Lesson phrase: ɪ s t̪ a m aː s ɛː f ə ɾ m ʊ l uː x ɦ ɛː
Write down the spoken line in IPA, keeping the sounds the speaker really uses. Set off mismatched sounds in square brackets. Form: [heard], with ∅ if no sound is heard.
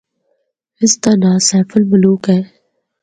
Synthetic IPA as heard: ɪ s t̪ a [n] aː s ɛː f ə [l] m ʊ l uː [k] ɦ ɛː